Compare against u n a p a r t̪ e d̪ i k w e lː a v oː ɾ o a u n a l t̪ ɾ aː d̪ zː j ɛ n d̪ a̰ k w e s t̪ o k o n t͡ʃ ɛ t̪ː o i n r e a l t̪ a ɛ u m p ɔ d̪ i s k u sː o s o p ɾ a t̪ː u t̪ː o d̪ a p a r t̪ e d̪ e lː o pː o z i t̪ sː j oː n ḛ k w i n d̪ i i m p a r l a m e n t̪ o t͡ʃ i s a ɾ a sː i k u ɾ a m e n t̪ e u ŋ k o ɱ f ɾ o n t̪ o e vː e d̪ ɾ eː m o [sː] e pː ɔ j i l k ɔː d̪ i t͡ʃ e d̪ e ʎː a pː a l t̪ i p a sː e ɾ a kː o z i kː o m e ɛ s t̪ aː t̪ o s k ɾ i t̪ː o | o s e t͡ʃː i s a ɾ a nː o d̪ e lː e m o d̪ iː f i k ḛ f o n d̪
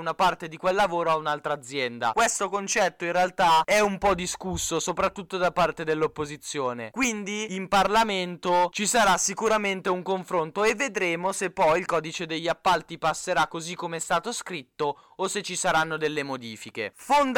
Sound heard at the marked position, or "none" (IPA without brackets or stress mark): s